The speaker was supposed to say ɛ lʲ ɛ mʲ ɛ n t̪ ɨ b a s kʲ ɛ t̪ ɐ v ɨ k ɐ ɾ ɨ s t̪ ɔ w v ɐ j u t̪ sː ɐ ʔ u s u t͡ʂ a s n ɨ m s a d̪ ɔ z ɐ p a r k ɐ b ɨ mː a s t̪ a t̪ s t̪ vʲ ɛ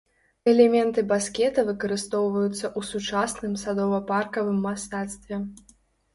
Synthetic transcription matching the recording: ɛ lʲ ɛ mʲ ɛ n t̪ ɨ b a s kʲ ɛ t̪ ɐ v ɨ k ɐ ɾ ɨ s t̪ ɔ w v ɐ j u t̪ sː ɐ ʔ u s u t͡ʂ a s n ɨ m s a d̪ ɔ v ɐ p a r k ɐ v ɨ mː a s t̪ a t̪ s t̪ vʲ ɛ

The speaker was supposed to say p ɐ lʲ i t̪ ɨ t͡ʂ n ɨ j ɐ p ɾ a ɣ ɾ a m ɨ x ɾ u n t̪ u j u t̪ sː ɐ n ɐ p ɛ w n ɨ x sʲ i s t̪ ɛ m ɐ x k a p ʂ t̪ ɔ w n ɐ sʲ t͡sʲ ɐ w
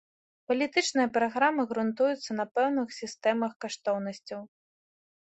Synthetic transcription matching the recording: p ɐ lʲ i t̪ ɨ t͡ʂ n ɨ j ɐ p ɾ a ɣ ɾ a m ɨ ɣ ɾ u n t̪ u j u t̪ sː ɐ n ɐ p ɛ w n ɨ x sʲ i s t̪ ɛ m ɐ x k a ʂ t̪ ɔ w n ɐ sʲ t͡sʲ ɐ w

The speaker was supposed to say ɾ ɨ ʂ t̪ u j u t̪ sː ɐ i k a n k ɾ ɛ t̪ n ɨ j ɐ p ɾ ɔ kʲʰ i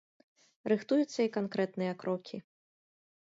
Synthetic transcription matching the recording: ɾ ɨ x t̪ u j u t̪ sː ɐ i k a n k ɾ ɛ t̪ n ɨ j ɐ k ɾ ɔ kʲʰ i

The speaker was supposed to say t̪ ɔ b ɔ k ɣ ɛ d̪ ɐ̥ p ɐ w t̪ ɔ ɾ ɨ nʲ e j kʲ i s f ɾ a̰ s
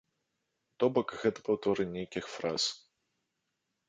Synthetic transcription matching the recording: t̪ ɔ b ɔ k ɣ ɛ t̪ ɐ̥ p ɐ w t̪ ɔ ɾ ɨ nʲ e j kʲ i x f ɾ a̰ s

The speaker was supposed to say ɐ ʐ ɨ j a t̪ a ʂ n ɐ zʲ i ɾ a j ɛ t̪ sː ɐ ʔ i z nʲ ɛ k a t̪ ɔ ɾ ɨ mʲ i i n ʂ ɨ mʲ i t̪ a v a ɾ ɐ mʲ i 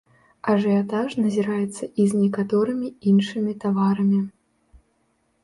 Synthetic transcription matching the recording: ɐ ʐ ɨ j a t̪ a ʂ n ɐ zʲ i ɾ a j ɛ t̪ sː ɐ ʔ i z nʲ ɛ k a t̪ ɔ ɾ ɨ mʲ i i n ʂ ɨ mʲ i t̪ a v a ɾ ɐ mʲ i

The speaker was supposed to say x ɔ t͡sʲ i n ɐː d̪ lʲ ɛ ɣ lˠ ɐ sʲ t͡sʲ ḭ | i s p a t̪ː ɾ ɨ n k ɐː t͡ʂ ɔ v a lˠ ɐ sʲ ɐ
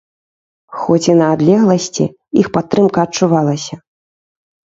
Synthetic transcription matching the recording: x ɔ t͡sʲ i n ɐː d̪ lʲ ɛ ɣ lˠ ɐ sʲ t͡sʲ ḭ | i x p a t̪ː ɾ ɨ m k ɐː t͡ʂ u v a lˠ ɐ sʲ ɐ

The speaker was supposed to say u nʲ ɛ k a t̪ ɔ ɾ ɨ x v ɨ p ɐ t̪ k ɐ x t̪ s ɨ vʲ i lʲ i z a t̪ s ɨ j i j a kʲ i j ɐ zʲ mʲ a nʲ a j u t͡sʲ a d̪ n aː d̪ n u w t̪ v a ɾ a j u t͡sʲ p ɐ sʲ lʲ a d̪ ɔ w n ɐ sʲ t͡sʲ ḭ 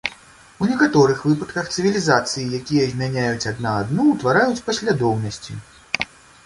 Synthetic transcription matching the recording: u nʲ ɛ k a t̪ ɔ ɾ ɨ x v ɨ p ɐ t̪ k ɐ x t̪ s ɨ vʲ i lʲ i z a t̪ s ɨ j i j a kʲ i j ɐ zʲ mʲ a nʲ a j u t͡sʲ a d̪ n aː d̪ n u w t̪ v a ɾ a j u t͡sʲ p ɐ sʲ lʲ a d̪ ɔ w n ɐ sʲ t͡sʲ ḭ

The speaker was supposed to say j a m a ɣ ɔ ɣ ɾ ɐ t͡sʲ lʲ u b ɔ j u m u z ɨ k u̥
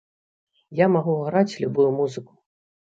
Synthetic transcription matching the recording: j a m a ɣ u ɣ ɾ a t͡sʲ lʲ u b u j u m u z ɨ k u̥

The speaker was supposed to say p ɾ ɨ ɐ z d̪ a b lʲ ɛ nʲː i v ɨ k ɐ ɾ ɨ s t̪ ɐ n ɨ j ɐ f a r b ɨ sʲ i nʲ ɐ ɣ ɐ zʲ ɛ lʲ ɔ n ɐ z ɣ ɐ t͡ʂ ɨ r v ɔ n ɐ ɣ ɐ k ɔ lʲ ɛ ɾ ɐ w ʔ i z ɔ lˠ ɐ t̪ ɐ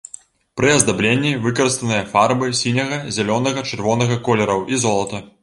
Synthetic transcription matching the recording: p ɾ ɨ ɐ z d̪ a b lʲ e nʲː i v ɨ k ɐ ɾ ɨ s t̪ ɐ n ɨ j ɐ f a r b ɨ sʲ i nʲ ɐ ɣ ɐ zʲ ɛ lʲ ɔ n ɐ ɣ ɐ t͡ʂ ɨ r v ɔ n ɐ ɣ ɐ k ɔ lʲ ɛ ɾ ɐ w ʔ i z ɔ lˠ ɐ t̪ ɐ

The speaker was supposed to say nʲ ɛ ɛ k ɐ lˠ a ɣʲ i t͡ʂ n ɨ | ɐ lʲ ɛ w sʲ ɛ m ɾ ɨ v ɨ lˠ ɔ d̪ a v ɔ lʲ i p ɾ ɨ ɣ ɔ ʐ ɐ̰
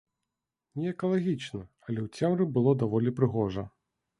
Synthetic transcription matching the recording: nʲ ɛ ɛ k ɐ lˠ a ɣʲ i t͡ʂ n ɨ | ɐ lʲ ɛ w t͡sʲ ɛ m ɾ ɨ b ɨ lˠ ɔ d̪ a v ɔ lʲ i p ɾ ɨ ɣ ɔ ʐ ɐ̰

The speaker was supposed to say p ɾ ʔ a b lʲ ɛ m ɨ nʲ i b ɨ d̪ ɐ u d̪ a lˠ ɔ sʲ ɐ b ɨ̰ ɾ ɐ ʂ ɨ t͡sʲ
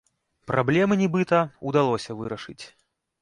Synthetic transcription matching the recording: p ɾ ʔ a b lʲ ɛ m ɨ nʲ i b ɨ t̪ ɐ u d̪ a lˠ ɔ sʲ ɐ v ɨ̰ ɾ ɐ ʂ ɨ t͡sʲ

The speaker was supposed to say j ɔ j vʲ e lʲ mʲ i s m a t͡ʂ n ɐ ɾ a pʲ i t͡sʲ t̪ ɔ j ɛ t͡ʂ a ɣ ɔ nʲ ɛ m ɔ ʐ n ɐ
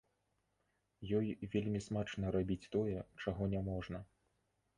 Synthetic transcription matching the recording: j ɔ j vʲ e lʲ mʲ i s m a t͡ʂ n ɐ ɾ a bʲ i t͡sʲ t̪ ɔ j ɛ t͡ʂ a ɣ ɔ nʲ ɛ m ɔ ʐ n ɐ

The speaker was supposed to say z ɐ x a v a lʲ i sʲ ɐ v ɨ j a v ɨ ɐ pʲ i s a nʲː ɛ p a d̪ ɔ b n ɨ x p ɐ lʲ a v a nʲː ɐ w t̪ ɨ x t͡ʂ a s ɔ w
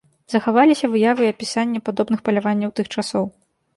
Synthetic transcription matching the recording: z ɐ x a v a lʲ i sʲ ɐ v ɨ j a v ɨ ɐ pʲ i s a nʲː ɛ p a d̪ ɔ b n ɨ x p ɐ lʲ a v a nʲː ɐ w t̪ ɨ x t͡ʂ a s ɔ w

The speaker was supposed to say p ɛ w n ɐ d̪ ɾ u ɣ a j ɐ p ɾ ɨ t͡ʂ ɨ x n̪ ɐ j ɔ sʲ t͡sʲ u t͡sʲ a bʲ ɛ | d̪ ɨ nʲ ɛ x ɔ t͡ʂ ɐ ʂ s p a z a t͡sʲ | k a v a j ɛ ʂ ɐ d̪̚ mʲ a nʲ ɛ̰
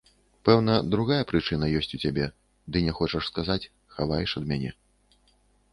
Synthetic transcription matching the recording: p ɛ w n ɐ d̪ ɾ u ɣ a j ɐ p ɾ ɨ t͡ʂ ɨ n̪ ɐ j ɔ sʲ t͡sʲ u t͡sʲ a bʲ ɛ | d̪ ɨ nʲ ɛ x ɔ t͡ʂ ɐ ʂ s k a z a t͡sʲ | x a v a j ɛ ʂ ɐ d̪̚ mʲ a nʲ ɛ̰

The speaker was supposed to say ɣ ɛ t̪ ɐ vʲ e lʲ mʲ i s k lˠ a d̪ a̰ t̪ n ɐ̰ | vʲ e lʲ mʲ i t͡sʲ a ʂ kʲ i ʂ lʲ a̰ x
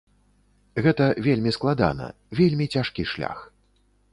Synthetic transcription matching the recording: ɣ ɛ t̪ ɐ vʲ e lʲ mʲ i s k lˠ a d̪ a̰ n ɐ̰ | vʲ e lʲ mʲ i t͡sʲ a ʂ kʲ i ʂ lʲ a̰ x

